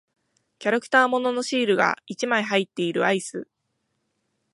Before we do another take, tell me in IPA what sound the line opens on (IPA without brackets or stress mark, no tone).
kʲ